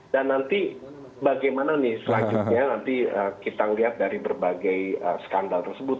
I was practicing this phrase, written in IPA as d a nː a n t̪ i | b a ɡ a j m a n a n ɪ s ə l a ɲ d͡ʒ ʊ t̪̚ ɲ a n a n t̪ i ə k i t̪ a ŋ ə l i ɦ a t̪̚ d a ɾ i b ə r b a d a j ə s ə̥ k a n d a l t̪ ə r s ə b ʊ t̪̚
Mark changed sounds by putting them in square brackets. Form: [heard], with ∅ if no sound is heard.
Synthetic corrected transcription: d a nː a n t̪ i | b a ɡ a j m a n a n ɪ s ə l a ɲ d͡ʒ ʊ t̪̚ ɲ a n a n t̪ i ə k i t̪ a ŋ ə l i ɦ a t̪̚ d a ɾ i b ə r b a [ɡ] a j ə s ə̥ k a n d a l t̪ ə r s ə b ʊ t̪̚